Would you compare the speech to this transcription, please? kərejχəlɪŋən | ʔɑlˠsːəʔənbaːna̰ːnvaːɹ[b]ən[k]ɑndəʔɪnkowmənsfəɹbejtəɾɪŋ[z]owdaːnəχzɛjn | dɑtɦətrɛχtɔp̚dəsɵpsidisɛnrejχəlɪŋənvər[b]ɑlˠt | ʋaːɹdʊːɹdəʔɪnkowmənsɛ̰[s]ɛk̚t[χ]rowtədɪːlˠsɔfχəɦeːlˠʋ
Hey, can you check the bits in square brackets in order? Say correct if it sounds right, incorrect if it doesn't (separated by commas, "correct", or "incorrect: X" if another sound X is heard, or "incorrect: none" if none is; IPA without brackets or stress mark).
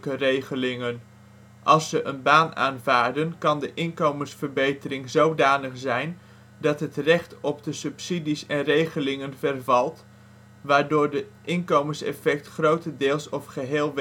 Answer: incorrect: d, correct, correct, incorrect: v, incorrect: f, correct